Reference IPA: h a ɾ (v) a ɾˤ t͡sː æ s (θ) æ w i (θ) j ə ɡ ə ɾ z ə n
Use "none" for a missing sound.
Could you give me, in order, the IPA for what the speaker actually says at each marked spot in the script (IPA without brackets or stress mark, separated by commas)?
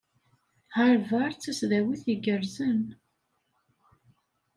v, ð, θ